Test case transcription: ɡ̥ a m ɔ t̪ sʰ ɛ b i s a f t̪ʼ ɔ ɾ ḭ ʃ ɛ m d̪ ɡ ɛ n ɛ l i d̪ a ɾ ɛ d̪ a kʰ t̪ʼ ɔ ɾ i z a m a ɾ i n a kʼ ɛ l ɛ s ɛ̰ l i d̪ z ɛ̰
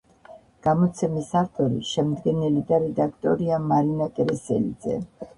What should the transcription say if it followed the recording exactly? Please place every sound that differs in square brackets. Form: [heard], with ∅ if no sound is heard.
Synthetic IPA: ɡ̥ a m ɔ t̪ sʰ ɛ [m] i s a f t̪ʼ ɔ ɾ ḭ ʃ ɛ m d̪ ɡ ɛ n ɛ l i d̪ a ɾ ɛ d̪ a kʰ t̪ʼ ɔ ɾ i [∅] a m a ɾ i n a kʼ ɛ [ɾ] ɛ s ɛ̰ l i d̪ z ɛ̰